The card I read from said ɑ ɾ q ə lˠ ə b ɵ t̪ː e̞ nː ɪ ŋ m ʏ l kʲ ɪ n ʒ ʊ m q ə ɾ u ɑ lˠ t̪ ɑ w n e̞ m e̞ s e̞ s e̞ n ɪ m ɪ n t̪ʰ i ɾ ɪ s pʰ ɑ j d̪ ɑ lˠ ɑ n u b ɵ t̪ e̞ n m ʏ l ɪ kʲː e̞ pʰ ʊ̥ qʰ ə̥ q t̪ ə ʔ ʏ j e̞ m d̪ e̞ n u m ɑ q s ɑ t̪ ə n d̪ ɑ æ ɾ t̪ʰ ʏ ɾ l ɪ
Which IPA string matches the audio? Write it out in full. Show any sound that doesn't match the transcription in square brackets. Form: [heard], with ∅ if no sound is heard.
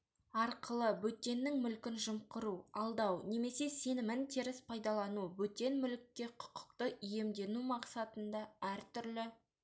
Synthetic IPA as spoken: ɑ ɾ q ə lˠ ə b ɵ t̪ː e̞ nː ɪ ŋ m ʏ l kʲ ɪ n ʒ ʊ m q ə ɾ u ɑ lˠ [d̪] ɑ w n e̞ m e̞ s e̞ s e̞ n ɪ m ɪ n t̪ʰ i ɾ ɪ s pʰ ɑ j d̪ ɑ lˠ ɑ n u b ɵ t̪ e̞ n m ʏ l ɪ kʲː e̞ [qʰ] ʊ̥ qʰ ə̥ q t̪ ə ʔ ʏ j e̞ m d̪ e̞ n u m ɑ q s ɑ t̪ ə n d̪ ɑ æ ɾ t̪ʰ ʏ ɾ l ɪ